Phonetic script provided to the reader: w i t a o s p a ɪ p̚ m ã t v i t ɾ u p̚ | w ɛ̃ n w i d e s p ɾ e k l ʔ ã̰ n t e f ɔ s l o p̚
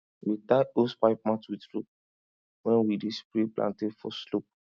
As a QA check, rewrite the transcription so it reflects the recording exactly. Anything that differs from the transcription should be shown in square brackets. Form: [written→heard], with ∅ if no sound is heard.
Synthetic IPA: w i t a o s p a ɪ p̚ m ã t [v→w] i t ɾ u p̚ | w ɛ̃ n w i d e s p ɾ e [k→p] l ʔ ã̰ n t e f ɔ s l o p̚

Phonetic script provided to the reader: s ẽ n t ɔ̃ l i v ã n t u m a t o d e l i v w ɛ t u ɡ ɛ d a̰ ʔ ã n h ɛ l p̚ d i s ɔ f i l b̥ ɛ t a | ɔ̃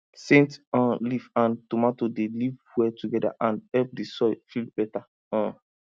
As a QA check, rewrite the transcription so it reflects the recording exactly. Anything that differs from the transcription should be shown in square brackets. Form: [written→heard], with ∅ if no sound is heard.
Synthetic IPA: s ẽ n t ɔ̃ l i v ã n t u m a t o d e l i v w ɛ t u ɡ ɛ d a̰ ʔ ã n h ɛ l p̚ d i s ɔ f i l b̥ ɛ t a | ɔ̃

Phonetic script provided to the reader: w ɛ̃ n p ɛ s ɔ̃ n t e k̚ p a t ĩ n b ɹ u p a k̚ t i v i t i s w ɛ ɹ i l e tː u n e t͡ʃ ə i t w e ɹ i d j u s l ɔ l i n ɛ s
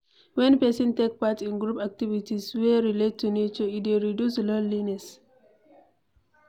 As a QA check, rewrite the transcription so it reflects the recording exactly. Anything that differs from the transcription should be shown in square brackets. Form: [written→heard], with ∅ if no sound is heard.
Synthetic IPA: w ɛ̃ n p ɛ s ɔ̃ n t e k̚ p a t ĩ n [b→ɡ] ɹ u p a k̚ t i v i t i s w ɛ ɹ i l e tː u n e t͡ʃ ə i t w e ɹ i d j u s l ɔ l i n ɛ s

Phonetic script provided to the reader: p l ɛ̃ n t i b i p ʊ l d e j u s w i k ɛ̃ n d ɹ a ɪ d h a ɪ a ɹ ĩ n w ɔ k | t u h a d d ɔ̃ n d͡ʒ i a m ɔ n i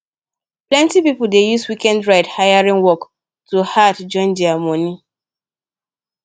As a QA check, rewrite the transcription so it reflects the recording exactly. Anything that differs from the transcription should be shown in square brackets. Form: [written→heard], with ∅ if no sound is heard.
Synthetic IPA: p l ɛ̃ n t i [b→p] i p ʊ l d e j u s w i k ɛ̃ n d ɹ a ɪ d h a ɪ a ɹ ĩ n w ɔ k | t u h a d [d→d͡ʒ] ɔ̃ n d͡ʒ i a m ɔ n i

